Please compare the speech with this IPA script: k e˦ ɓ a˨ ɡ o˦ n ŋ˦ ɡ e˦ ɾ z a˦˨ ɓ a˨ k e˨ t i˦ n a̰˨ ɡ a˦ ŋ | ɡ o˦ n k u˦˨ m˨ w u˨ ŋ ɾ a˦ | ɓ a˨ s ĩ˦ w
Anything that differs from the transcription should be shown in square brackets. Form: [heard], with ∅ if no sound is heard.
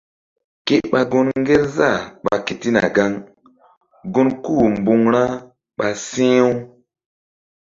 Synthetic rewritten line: k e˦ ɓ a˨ ɡ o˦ n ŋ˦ ɡ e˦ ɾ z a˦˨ ɓ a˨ k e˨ t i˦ n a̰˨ ɡ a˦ ŋ | ɡ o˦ n k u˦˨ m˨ [b] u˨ ŋ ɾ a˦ | ɓ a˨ s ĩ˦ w